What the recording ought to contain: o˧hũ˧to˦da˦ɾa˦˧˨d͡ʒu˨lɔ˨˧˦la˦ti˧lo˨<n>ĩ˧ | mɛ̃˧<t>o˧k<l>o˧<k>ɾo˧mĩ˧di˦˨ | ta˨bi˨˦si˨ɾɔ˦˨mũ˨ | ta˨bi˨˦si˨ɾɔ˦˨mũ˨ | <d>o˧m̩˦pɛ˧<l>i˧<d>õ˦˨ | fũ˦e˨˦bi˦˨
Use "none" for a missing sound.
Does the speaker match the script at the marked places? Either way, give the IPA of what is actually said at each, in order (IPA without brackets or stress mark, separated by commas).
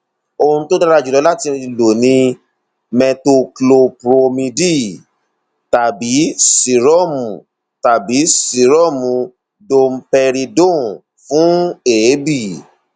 n, t, l, p, d, ɾ, d